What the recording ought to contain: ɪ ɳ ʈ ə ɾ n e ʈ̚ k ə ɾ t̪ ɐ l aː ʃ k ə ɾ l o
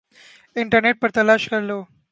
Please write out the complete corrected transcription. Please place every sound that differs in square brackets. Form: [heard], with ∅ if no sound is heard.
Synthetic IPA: ɪ ɳ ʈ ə ɾ n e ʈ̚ [p] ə ɾ t̪ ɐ l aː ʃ k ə ɾ l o